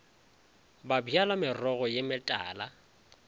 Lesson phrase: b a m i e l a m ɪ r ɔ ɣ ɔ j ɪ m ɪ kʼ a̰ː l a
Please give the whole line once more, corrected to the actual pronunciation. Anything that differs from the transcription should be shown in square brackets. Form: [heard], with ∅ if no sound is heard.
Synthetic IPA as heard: b a [b] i [a] l a m ɪ r ɔ ɣ ɔ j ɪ m ɪ [tʼ] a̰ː l a